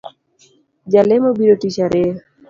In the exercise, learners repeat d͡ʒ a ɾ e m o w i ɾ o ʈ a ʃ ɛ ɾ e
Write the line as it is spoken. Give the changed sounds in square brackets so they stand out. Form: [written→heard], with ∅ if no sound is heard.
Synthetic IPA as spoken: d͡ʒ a [ɾ→l] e m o [w→b] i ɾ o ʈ [a→i] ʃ [ɛ→a] ɾ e